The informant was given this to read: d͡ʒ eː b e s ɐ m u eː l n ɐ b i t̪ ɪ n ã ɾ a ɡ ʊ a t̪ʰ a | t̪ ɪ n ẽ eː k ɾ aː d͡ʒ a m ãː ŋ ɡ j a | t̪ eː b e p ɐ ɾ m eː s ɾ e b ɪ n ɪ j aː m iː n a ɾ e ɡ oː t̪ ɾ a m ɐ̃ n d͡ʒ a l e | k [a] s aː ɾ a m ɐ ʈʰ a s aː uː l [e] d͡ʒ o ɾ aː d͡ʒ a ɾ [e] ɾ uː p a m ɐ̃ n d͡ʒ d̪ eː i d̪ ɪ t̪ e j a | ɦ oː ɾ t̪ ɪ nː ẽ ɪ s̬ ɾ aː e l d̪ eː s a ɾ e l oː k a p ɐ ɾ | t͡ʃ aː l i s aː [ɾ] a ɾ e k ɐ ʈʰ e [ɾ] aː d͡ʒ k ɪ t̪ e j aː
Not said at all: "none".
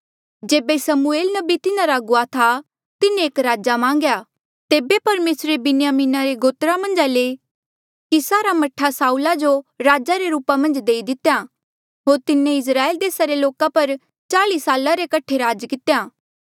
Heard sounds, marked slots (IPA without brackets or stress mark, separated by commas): i, a, e, l, ɾ